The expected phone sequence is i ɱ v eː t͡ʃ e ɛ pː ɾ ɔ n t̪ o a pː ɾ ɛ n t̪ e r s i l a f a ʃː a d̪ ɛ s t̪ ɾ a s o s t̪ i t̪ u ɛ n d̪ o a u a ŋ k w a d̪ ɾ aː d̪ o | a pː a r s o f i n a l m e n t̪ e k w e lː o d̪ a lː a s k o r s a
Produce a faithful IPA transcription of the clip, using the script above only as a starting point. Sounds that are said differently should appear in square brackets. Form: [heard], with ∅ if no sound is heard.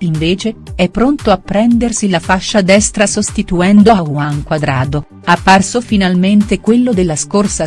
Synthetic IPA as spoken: i ɱ v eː t͡ʃ e ɛ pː ɾ [o] n t̪ o a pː ɾ ɛ n [d̪] e r s i l a f a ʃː a d̪ ɛ s t̪ ɾ a s o s t̪ i t̪ u ɛ n d̪ o a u a ŋ k w a d̪ ɾ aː d̪ o | a pː a r s o f i n a l m e n t̪ e k w e lː o d̪ [e] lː a s k o r s a

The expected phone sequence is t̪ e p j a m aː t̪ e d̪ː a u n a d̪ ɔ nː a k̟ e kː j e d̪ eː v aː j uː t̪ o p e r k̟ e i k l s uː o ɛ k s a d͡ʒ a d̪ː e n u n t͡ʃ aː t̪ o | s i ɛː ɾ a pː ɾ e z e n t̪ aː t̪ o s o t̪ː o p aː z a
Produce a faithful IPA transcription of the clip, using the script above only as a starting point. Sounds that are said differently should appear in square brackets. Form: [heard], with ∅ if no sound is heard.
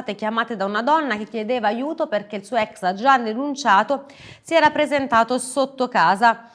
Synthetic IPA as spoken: t̪ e [k] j a m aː t̪ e [d̪] a u n a d̪ ɔ nː a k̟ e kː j e d̪ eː v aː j uː t̪ o p e r k̟ e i [∅] l s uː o ɛ k s a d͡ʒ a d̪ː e n u n t͡ʃ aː t̪ o | s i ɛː ɾ a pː ɾ e z e n t̪ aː t̪ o s o t̪ː o [k] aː z a

